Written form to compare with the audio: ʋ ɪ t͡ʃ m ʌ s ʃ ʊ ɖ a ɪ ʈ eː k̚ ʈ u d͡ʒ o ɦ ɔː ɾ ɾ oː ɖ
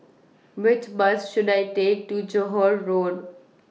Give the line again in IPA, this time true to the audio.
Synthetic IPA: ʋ ɪ t͡ʃ b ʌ s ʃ ʊ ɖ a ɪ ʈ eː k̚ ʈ u d͡ʒ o ɦ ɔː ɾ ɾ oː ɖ

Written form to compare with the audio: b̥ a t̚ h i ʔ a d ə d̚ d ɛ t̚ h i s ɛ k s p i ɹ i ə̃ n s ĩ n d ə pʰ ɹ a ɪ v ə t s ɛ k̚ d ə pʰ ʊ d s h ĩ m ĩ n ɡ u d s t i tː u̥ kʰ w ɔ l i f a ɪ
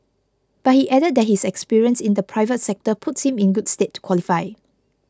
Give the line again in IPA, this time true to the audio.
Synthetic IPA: b̥ a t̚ h i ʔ ɛ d ə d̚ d ɛ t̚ h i s ɛ k s p i ɹ i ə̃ n s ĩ n d ə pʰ ɹ a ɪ v ə t s ɛ k̚ t ə pʰ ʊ t s h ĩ m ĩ n ɡ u d s t e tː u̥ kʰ w ɔ l i f a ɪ

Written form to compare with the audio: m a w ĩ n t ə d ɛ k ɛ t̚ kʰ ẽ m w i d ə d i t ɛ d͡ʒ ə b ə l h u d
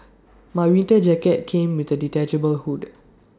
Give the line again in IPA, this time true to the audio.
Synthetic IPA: m a w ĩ n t ə d͡ʒ ɛ k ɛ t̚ kʰ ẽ m w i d ə d i t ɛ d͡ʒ ə b ə l h u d

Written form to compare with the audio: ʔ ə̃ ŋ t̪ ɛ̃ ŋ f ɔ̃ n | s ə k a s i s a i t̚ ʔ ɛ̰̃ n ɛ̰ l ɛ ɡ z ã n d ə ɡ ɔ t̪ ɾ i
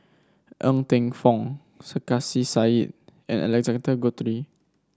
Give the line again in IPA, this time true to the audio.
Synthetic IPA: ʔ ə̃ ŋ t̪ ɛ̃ ŋ f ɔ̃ ŋ | s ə k a s i s a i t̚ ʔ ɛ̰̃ n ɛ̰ l ɛ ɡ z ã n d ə ɡ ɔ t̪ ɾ i

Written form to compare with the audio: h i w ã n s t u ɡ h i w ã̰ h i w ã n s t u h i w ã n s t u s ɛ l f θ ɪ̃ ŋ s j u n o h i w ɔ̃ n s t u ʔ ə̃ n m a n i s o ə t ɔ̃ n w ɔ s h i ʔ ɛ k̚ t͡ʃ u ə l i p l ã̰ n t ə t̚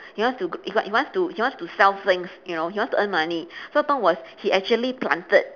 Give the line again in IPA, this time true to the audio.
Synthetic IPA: h i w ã n s t u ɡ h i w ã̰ h i w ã n s t u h i w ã n s t u s ɛ l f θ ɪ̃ ŋ s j u n o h i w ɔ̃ n s t u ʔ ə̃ n m a n i s o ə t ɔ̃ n w ɔ s h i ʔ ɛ k̚ t͡ʃ u ə l i p l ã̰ n t ə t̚

